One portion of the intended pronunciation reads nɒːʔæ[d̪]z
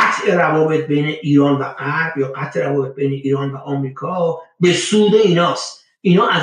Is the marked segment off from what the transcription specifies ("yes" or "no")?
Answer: yes